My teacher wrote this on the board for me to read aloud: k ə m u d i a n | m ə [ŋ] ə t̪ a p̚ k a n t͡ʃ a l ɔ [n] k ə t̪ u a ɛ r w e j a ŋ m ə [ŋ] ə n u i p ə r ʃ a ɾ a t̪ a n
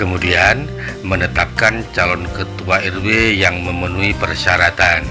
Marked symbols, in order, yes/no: no, yes, no

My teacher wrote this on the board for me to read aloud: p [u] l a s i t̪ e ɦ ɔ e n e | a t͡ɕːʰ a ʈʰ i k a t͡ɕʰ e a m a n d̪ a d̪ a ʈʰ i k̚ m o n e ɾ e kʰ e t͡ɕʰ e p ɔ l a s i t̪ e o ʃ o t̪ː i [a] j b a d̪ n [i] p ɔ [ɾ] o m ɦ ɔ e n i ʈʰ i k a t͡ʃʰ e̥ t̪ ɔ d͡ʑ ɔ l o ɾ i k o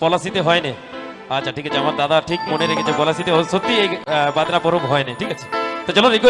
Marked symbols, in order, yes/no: no, no, no, yes

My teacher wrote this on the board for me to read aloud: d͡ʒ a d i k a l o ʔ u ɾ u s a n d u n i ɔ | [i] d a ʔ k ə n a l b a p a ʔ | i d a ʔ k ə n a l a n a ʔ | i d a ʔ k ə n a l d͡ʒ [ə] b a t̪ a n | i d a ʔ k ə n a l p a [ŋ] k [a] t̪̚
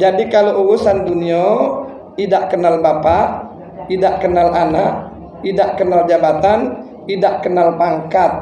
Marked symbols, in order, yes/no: yes, no, yes, yes

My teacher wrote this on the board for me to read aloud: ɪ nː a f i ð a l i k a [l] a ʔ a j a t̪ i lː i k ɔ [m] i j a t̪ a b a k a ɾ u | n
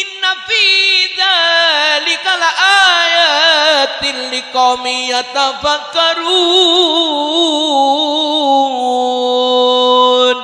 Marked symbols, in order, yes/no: yes, yes

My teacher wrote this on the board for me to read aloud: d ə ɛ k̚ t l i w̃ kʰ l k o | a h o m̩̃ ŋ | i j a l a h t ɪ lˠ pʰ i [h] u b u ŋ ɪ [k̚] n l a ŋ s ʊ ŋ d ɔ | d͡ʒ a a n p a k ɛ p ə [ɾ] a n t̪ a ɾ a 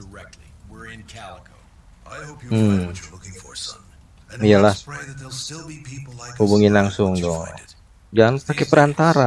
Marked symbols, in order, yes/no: yes, no, yes

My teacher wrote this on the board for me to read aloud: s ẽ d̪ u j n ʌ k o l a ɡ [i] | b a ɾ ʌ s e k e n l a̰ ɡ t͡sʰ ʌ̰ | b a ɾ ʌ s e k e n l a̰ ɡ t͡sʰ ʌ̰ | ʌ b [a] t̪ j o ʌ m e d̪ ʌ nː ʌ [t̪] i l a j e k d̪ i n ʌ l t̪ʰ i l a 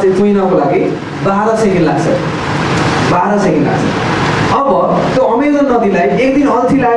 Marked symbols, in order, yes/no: yes, no, no

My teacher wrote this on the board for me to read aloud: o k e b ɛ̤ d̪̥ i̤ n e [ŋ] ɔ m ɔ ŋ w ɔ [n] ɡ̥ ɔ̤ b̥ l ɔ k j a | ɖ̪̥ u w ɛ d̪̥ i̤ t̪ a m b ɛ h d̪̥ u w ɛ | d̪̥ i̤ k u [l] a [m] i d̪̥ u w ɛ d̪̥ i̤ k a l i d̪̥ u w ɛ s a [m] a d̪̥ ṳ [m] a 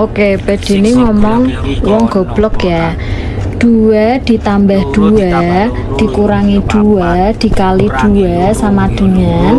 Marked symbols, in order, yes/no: yes, no, no, no, yes, no

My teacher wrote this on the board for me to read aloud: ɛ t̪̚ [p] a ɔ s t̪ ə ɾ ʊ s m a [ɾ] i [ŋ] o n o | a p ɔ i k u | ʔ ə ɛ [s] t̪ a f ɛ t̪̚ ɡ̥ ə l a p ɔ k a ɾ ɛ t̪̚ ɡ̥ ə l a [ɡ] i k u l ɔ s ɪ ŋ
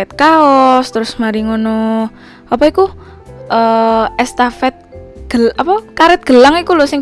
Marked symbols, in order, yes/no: no, yes, yes, yes, no

